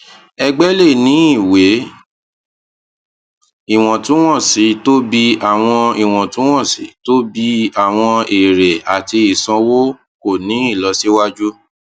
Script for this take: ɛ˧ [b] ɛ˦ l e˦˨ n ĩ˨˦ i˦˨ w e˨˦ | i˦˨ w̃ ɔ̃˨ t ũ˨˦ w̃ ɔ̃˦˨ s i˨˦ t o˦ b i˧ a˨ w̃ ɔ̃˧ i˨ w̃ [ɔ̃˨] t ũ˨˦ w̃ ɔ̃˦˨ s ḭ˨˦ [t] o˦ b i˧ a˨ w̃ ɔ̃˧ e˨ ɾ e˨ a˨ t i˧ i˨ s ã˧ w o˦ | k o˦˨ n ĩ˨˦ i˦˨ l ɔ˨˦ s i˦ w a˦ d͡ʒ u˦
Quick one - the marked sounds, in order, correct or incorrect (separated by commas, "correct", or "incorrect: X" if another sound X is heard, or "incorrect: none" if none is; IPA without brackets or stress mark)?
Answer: incorrect: ɡ͡b, correct, correct